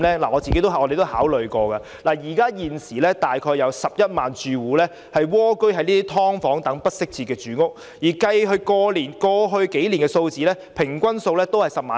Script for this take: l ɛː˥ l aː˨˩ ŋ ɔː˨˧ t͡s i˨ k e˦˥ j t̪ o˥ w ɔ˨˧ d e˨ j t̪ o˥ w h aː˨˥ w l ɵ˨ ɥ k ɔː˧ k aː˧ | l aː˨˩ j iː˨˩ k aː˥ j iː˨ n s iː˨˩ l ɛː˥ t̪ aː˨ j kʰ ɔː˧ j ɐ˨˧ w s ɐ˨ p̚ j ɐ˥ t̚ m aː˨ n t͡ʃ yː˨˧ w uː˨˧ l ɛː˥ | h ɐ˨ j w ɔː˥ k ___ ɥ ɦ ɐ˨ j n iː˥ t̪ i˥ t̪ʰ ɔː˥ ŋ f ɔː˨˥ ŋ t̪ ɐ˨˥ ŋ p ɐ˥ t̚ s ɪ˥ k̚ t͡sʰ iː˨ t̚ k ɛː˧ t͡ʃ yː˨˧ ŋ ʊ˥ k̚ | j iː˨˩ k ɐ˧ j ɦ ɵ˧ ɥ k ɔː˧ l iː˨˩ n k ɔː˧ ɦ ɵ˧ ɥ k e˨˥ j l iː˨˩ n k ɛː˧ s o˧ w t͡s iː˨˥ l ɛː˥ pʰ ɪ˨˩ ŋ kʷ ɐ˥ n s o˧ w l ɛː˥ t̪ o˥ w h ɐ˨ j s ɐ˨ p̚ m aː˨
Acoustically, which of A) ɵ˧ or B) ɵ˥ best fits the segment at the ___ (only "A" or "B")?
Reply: B